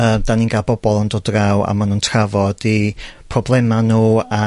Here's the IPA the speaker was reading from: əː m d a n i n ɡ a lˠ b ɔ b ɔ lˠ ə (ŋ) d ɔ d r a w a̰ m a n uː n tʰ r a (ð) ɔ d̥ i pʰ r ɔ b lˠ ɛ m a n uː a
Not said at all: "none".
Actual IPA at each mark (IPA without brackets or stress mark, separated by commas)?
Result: n, v